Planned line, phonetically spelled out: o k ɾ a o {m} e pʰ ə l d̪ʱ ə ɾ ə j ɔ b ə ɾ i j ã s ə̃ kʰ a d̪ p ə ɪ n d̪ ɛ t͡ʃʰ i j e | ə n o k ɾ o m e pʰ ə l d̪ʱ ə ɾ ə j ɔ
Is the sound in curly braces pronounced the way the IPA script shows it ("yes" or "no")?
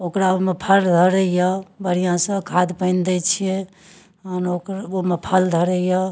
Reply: yes